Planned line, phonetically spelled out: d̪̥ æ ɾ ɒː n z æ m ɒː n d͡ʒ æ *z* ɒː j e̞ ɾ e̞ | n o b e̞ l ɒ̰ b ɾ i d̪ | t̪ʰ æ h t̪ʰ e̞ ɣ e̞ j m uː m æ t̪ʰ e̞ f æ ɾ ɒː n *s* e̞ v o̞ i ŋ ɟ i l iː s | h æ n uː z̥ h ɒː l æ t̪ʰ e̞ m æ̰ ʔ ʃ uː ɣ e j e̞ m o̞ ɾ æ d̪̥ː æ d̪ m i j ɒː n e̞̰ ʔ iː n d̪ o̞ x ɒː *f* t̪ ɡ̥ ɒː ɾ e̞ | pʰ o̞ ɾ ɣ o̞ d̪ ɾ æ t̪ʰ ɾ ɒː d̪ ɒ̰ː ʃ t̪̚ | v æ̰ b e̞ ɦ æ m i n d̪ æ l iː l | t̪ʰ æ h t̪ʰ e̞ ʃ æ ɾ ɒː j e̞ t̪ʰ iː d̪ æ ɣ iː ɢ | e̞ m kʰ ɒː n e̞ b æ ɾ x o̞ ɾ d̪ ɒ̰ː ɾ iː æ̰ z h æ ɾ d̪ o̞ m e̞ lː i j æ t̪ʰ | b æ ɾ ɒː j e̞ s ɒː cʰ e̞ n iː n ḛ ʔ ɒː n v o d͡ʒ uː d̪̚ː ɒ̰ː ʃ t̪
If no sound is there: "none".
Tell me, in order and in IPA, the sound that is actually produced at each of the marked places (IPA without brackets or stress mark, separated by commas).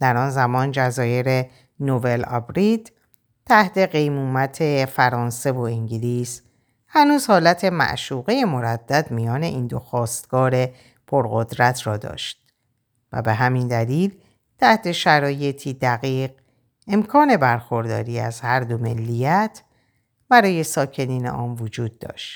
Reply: z, s, s